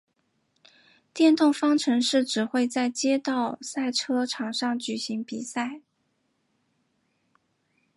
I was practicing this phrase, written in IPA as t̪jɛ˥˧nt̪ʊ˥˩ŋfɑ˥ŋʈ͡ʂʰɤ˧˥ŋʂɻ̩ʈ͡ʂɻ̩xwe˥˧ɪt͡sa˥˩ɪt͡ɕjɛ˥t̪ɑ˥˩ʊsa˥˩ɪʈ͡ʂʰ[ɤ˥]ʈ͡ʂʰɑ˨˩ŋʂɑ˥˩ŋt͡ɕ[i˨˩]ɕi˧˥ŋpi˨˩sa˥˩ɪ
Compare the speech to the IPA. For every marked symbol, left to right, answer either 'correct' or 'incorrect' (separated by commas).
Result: correct, incorrect